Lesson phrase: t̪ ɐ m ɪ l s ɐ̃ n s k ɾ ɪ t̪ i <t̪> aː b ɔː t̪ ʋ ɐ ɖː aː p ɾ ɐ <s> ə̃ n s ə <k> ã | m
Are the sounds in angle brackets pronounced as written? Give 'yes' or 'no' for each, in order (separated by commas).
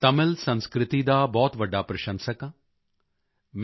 no, no, yes